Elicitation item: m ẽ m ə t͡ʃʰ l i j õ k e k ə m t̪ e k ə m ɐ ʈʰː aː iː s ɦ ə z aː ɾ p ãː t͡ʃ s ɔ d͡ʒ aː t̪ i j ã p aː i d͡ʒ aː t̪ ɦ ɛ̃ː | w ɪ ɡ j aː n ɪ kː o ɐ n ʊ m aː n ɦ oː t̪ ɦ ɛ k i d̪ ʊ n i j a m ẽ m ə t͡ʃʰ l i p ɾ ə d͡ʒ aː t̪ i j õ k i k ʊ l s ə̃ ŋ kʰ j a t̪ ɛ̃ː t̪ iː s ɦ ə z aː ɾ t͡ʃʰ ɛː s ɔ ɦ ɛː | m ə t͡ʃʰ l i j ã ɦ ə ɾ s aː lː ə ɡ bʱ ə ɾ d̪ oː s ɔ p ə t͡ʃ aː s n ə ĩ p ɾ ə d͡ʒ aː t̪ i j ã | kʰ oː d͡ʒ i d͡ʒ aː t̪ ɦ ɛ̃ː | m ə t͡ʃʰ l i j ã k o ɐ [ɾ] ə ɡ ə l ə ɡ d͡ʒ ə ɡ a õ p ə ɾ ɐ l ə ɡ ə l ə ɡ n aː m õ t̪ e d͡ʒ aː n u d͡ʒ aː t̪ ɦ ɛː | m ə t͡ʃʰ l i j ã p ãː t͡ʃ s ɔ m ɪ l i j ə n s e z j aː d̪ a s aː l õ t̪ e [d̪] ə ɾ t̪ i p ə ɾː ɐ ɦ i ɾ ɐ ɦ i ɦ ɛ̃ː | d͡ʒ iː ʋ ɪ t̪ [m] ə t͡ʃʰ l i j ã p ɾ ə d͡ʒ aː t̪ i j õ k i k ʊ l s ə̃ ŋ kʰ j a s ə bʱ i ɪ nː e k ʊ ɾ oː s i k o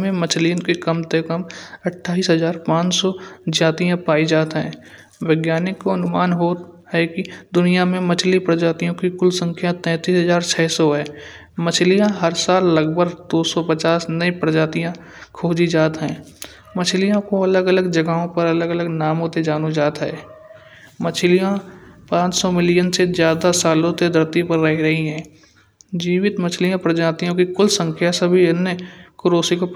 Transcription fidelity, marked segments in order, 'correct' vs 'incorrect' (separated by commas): incorrect, correct, correct